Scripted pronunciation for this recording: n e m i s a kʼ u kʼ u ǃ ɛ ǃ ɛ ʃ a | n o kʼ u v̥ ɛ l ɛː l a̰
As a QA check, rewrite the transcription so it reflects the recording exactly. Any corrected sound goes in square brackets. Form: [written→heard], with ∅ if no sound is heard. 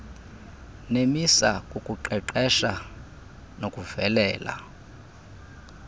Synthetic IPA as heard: n e m i s a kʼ u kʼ u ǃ ɛ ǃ ɛ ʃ a | n o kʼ u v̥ ɛ l ɛː l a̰